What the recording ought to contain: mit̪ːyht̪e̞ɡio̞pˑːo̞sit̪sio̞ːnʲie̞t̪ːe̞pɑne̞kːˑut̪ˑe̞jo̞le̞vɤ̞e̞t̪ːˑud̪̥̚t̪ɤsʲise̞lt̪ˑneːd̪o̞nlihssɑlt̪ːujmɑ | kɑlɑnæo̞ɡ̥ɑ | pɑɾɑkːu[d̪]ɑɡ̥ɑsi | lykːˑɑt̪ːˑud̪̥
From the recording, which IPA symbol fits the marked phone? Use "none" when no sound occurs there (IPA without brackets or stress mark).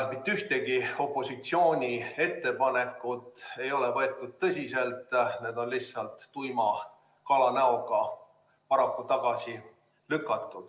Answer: t̪